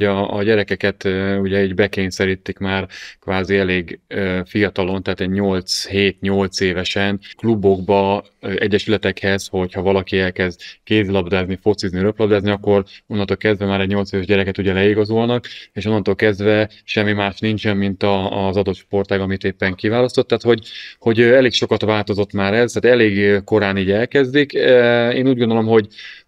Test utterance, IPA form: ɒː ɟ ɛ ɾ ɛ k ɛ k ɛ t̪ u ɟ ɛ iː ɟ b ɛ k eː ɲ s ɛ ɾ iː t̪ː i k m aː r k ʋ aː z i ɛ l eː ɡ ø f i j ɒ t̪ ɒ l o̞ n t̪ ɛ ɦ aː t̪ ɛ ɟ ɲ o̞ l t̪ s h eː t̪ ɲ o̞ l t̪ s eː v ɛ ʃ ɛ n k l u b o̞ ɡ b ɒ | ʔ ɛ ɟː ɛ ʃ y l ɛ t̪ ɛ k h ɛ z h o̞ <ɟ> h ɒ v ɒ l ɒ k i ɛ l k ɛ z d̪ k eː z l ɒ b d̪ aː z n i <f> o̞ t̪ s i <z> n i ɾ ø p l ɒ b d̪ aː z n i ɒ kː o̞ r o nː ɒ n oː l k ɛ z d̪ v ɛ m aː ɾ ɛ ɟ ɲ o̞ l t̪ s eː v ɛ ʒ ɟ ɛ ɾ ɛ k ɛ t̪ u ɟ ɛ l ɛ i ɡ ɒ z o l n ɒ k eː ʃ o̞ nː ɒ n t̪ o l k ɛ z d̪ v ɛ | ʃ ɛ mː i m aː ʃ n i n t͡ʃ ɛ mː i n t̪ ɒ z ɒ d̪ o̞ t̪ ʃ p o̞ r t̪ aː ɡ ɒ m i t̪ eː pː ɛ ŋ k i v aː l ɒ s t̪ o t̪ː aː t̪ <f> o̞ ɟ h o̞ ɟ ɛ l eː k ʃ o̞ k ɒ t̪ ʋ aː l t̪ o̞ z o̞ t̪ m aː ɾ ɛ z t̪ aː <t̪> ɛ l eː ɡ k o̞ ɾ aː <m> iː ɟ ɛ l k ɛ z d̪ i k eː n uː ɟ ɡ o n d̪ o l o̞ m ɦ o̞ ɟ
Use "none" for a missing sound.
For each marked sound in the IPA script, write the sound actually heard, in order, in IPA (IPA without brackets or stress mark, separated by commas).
c, f, z, h, t̪, n